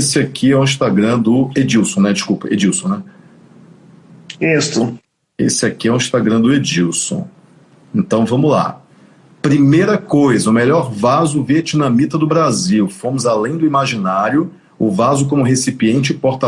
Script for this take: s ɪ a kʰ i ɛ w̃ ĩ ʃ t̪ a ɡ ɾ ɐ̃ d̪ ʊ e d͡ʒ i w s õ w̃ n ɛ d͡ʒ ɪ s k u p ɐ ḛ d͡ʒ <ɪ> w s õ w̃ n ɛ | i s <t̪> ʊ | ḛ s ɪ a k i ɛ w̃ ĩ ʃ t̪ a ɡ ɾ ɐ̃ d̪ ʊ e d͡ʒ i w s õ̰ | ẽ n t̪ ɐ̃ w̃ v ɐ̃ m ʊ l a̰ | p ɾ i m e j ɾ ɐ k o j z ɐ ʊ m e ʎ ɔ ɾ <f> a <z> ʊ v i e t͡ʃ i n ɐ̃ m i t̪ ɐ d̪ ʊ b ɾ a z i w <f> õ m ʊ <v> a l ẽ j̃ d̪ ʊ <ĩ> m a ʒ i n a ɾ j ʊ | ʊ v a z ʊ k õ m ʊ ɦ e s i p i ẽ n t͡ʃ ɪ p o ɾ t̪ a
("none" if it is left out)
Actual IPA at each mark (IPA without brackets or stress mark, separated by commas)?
i, t̪, v, z, f, z, i